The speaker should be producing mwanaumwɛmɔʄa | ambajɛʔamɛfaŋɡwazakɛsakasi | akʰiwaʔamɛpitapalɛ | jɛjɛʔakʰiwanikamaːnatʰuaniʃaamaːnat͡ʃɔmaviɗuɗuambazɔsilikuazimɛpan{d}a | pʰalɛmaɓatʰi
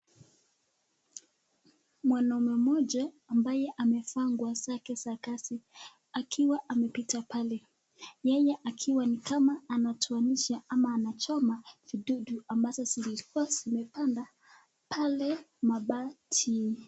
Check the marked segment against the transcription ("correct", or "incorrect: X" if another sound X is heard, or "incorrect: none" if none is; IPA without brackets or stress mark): correct